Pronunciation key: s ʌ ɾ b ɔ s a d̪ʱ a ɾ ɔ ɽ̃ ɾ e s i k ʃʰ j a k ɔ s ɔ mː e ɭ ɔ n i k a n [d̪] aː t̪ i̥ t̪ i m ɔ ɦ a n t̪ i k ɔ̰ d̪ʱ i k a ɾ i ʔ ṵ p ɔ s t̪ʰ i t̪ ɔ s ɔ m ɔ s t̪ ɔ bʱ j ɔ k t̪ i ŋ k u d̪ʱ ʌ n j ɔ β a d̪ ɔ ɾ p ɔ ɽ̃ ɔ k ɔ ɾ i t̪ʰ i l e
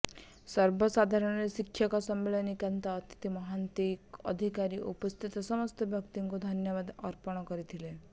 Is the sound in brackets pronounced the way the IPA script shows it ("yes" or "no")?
no